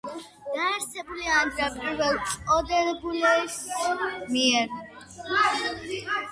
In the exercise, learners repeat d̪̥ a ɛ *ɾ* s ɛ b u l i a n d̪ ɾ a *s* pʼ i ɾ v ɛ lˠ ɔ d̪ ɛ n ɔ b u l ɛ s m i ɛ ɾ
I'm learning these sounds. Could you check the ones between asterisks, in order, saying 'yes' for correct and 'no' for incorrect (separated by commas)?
yes, no